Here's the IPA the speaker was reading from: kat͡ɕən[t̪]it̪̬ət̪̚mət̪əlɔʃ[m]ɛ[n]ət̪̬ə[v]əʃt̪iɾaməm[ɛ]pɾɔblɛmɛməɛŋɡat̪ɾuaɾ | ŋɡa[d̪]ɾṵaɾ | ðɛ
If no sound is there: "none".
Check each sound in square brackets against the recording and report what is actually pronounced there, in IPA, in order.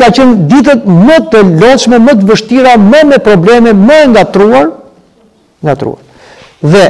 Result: d̪, m, m, v, ɛ, t̪

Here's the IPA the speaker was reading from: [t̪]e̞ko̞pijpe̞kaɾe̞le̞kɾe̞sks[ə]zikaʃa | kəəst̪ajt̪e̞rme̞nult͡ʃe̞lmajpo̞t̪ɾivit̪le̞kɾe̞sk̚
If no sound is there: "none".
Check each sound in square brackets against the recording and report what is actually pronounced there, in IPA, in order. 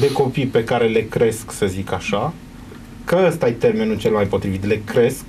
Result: d̪, ə

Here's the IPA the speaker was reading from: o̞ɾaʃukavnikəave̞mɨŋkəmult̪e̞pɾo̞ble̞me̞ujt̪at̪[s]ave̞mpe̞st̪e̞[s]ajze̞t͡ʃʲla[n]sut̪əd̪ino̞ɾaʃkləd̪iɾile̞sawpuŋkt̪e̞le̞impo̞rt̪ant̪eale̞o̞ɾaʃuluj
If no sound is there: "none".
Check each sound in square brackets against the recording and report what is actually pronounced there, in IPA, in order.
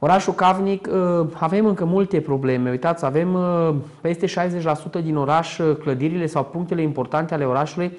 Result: s, ʃ, none

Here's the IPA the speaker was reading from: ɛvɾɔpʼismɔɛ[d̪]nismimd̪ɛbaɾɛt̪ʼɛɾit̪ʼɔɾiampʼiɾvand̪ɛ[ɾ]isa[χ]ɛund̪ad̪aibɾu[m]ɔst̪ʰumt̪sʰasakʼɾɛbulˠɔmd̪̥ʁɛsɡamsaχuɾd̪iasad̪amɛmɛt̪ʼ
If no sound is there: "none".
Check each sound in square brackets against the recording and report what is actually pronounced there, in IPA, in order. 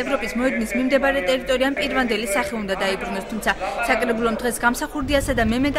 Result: d̪, l, χ, n

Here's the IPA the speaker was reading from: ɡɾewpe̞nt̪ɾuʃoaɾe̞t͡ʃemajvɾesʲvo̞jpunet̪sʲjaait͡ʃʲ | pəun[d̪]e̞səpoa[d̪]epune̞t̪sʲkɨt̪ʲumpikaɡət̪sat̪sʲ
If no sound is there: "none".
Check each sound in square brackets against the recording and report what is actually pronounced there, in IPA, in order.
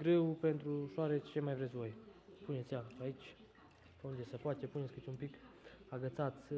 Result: d̪, t̪

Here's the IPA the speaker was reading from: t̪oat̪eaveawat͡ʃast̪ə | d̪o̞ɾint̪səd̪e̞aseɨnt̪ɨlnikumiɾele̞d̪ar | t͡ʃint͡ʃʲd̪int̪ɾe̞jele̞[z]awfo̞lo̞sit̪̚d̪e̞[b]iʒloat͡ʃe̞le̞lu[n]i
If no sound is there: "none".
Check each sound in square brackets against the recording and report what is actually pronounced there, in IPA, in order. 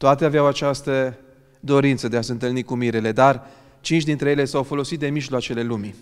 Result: s, m, m

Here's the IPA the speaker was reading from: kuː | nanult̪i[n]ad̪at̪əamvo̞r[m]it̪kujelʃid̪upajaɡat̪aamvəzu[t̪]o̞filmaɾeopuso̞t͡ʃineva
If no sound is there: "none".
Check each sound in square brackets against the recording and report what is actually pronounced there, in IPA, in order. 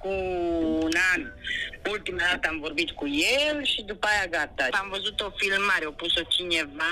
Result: m, b, t̪

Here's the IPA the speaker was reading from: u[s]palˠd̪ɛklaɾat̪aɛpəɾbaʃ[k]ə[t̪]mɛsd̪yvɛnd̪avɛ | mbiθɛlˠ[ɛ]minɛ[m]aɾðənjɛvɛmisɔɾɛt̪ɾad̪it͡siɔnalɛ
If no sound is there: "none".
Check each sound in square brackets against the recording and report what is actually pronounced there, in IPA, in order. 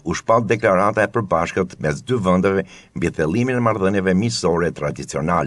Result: ʃ, k, t̪, i, m

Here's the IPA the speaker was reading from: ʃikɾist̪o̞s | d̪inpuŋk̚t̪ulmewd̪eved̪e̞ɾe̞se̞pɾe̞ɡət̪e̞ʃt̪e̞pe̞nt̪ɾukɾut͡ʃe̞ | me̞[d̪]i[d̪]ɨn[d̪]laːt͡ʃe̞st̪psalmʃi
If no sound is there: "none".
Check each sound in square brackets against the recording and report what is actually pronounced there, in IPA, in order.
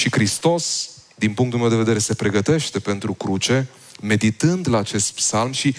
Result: d̪, t̪, d̪

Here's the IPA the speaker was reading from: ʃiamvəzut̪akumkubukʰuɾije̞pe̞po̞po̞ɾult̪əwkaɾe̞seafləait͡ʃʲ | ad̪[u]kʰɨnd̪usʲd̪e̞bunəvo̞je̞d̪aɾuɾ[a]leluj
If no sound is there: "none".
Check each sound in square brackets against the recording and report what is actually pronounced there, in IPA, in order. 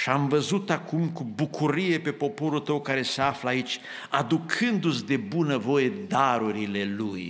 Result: u, i

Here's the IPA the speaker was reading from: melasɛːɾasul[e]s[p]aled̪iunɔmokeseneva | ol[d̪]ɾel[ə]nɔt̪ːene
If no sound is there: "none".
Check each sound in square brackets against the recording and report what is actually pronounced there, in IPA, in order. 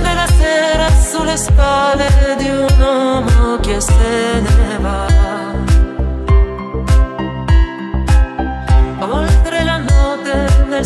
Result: e, p, t̪, a

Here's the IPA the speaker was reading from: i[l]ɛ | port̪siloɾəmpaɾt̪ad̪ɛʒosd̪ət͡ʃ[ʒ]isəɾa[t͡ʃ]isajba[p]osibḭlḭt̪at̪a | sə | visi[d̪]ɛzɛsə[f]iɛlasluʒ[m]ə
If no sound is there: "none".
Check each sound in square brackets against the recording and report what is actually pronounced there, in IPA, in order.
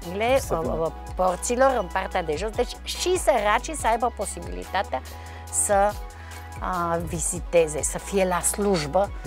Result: l, ʃ, t͡ʃ, p, t̪, f, b

